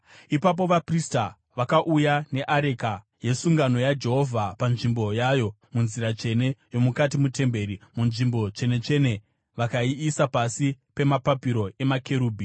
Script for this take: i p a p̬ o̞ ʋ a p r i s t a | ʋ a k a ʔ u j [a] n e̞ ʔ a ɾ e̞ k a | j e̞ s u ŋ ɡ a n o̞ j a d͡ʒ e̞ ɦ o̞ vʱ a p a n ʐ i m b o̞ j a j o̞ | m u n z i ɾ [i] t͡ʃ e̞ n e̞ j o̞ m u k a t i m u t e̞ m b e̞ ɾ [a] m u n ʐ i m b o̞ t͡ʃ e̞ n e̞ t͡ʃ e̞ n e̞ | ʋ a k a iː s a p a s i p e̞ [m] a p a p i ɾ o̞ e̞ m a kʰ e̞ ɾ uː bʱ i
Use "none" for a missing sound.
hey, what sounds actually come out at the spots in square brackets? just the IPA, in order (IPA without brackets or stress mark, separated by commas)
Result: a, a, i, m